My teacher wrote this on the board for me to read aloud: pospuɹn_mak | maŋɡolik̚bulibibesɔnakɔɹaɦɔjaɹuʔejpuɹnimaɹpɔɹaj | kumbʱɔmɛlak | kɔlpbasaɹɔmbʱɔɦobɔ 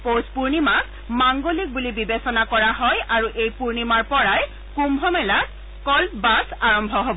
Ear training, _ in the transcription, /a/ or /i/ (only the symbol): i